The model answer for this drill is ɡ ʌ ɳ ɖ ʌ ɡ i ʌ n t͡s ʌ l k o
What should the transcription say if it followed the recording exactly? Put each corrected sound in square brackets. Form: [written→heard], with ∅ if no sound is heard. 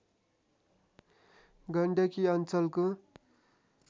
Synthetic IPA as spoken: ɡ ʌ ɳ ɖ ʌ [ɡ→k] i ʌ n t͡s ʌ l k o